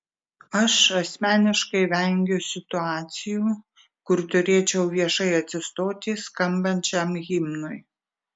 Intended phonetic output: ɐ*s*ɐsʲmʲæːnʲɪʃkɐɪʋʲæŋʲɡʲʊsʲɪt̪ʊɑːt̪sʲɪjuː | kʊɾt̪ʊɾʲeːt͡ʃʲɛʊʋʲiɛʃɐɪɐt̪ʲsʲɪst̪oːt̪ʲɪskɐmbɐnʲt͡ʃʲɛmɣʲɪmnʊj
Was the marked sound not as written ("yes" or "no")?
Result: yes